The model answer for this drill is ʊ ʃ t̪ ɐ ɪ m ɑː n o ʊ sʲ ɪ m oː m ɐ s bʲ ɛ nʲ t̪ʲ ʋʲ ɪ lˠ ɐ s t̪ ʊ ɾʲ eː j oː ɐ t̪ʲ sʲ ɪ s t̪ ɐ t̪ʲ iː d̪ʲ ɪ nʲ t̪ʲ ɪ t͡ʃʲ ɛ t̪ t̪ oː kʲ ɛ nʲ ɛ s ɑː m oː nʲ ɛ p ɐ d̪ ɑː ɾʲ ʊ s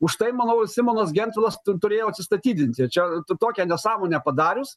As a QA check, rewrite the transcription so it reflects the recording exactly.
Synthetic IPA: ʊ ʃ t̪ ɐ ɪ m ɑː n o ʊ sʲ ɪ m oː n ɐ s ɡʲ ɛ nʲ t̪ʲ ʋʲ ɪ lˠ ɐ s t̪ ʊ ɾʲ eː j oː ɐ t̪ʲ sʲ ɪ s t̪ ɐ t̪ʲ iː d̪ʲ ɪ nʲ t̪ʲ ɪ t͡ʃʲ ɛ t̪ t̪ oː kʲ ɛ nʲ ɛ s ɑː m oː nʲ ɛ p ɐ d̪ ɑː ɾʲ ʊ s